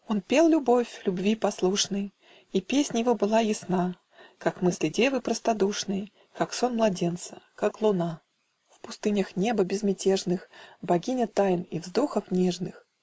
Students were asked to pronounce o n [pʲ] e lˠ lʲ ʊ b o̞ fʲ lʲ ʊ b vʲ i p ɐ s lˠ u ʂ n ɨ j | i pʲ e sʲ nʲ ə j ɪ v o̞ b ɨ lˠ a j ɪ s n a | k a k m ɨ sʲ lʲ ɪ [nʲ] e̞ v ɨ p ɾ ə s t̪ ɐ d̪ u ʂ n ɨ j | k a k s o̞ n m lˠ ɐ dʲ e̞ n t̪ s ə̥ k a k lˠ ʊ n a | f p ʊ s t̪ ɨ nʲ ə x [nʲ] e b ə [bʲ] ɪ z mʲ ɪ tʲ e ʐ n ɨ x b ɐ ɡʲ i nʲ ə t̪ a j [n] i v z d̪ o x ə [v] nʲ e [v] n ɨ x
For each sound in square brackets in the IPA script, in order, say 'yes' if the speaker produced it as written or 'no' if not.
yes, no, yes, yes, yes, no, no

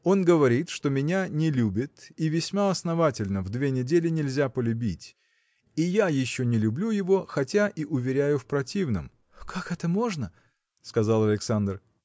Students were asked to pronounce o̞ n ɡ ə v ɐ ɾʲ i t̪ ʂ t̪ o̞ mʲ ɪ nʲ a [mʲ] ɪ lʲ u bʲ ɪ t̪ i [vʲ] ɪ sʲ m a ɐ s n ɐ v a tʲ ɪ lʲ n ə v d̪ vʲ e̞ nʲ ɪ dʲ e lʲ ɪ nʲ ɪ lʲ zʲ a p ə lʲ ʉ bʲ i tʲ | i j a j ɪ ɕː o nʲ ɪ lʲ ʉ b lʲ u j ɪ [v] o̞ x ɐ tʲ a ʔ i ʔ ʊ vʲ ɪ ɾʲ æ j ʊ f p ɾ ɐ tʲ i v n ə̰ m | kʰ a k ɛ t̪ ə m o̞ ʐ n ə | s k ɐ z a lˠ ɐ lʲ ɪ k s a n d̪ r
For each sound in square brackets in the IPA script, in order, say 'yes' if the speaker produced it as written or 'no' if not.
no, yes, yes

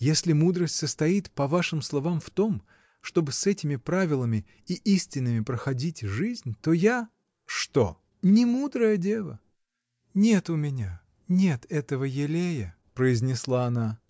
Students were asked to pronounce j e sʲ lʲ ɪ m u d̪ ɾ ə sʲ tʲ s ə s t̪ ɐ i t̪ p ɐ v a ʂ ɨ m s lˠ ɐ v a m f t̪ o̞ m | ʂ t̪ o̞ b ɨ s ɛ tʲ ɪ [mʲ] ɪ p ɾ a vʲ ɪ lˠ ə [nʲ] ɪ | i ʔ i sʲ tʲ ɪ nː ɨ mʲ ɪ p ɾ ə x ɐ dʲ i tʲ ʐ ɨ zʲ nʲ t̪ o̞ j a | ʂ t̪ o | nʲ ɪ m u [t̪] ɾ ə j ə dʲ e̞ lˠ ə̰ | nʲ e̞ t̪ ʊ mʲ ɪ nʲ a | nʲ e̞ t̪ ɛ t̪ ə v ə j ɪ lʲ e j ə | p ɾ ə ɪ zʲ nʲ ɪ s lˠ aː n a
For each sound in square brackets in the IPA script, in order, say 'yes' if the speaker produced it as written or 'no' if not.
yes, no, no

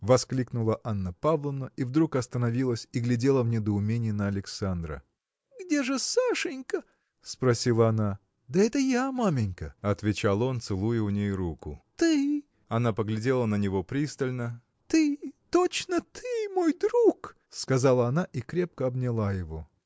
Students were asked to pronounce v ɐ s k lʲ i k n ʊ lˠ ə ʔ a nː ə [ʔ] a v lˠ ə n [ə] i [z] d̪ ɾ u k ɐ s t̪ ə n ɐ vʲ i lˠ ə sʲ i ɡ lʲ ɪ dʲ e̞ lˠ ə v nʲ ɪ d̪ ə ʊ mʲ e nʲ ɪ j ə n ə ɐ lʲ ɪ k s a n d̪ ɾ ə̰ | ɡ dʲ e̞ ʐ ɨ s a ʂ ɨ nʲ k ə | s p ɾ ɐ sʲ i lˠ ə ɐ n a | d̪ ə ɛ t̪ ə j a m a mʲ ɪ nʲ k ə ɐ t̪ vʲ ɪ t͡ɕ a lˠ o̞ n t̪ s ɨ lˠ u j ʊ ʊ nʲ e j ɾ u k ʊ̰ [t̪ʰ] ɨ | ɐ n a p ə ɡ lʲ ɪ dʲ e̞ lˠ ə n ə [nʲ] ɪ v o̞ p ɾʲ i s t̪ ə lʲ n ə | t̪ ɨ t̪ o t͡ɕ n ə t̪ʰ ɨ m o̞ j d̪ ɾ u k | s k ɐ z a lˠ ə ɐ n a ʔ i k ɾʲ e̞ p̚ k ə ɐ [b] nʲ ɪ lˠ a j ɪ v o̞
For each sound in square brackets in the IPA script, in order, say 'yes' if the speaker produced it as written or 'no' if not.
no, yes, no, no, yes, yes

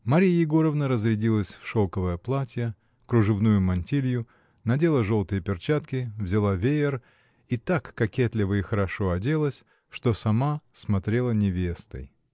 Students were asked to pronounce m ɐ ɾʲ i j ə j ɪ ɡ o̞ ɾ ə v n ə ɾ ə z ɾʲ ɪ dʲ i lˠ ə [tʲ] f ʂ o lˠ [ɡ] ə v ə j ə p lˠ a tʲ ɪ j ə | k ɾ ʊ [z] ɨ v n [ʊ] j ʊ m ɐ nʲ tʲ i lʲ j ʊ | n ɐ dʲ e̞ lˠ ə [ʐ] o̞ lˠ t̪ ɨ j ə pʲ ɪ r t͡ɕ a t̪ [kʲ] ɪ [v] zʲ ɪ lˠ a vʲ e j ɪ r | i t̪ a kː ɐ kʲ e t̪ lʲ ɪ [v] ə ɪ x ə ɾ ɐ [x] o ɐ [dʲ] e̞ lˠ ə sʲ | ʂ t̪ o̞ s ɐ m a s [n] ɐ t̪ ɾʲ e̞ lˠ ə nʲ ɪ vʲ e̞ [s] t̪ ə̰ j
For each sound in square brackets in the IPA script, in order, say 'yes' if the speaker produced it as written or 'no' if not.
no, no, no, no, yes, yes, yes, yes, no, yes, no, yes

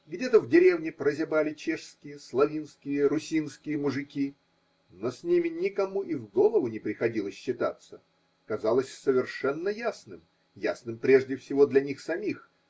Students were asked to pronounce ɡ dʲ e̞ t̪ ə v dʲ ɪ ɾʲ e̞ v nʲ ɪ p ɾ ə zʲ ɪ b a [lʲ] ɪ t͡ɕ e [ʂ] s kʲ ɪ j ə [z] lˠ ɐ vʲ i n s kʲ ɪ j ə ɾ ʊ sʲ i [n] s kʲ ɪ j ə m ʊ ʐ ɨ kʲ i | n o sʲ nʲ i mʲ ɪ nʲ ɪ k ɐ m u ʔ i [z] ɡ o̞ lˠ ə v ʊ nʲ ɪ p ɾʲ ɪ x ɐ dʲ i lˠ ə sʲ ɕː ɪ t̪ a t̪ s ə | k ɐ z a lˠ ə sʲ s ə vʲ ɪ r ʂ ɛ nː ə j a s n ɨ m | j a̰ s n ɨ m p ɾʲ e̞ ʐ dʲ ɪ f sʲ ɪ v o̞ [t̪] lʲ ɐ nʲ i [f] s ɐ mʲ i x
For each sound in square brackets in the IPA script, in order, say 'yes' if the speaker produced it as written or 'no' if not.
yes, yes, no, yes, no, no, no

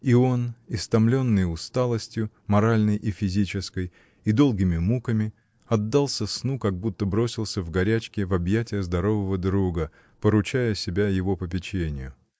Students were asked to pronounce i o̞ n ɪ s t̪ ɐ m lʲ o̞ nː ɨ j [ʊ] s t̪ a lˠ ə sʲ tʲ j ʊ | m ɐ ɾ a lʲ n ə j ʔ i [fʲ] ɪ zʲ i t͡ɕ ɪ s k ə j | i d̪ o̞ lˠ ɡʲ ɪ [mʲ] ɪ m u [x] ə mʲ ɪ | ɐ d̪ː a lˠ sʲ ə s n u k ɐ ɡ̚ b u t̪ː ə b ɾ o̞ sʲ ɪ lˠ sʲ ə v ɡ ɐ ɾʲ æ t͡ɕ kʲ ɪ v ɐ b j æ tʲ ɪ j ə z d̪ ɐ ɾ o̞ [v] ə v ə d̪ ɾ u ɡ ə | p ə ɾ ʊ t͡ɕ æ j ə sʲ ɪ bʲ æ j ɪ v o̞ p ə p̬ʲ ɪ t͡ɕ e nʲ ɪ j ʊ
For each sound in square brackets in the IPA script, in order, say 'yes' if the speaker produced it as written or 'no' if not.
yes, yes, yes, no, yes

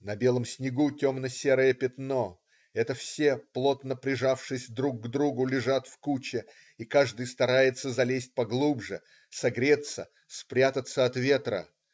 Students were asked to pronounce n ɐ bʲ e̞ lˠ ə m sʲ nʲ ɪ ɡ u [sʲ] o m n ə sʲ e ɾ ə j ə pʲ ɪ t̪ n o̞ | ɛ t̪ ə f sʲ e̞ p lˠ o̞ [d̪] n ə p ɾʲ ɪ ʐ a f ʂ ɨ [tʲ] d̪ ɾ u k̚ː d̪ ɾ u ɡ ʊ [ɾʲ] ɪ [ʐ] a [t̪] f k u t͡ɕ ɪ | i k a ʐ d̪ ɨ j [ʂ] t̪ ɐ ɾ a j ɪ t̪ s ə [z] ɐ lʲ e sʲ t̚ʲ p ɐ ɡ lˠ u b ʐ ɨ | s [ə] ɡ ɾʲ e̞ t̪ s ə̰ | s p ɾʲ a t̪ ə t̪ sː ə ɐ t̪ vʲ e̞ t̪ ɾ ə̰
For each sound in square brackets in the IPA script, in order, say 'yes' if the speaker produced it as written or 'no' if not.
no, no, no, no, yes, yes, no, yes, no

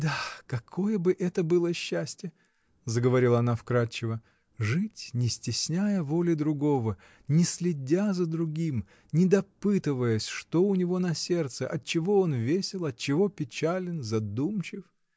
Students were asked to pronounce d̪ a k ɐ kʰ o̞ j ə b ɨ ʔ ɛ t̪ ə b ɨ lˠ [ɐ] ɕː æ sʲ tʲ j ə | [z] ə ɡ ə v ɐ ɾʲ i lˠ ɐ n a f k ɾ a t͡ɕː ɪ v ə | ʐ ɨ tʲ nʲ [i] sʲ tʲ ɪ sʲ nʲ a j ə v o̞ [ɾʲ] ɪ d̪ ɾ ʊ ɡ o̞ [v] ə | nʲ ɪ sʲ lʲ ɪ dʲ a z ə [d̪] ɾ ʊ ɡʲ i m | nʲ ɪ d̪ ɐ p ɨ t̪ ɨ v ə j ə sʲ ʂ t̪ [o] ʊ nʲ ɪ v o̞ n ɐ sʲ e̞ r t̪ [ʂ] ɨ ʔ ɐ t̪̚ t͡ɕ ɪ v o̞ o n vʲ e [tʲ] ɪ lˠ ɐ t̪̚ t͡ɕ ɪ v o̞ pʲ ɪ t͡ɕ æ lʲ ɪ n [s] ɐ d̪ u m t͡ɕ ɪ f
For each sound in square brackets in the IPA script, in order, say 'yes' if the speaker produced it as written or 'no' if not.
no, yes, no, no, yes, yes, yes, no, no, no

